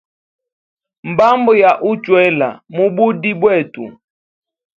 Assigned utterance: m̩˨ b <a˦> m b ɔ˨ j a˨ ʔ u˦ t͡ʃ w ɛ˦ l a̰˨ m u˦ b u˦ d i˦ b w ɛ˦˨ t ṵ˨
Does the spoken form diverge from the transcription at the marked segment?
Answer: no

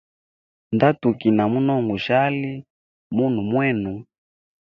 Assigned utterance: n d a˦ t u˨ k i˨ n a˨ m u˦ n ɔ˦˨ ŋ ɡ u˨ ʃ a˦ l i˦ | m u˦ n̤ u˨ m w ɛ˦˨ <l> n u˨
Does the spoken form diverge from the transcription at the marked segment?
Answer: yes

